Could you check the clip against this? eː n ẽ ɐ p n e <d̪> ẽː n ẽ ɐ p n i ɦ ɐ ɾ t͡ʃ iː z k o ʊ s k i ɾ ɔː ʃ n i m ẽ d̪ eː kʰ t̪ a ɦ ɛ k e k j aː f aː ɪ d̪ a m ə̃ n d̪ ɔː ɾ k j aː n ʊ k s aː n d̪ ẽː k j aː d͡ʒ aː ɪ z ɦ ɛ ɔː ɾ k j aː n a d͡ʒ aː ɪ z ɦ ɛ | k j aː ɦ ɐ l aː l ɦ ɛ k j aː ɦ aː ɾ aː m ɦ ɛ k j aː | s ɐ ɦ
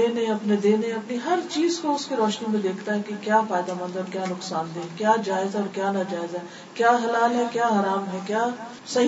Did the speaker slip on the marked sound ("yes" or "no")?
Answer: no